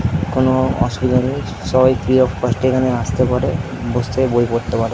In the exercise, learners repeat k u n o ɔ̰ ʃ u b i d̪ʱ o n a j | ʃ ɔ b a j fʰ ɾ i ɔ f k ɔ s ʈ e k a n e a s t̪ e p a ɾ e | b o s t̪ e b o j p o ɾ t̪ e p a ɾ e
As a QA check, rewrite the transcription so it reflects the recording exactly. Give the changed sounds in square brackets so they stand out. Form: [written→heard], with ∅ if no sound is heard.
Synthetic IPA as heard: k [u→o] n o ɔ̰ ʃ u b i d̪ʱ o n [a→e] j | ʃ ɔ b a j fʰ ɾ i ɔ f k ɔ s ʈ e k a n e a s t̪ e p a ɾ e | b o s t̪ e b o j p o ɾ t̪ e p a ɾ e